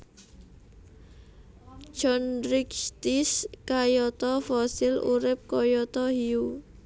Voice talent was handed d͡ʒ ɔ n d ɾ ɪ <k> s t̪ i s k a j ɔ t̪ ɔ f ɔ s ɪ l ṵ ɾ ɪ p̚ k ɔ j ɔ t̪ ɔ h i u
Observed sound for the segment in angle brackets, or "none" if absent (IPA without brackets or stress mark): k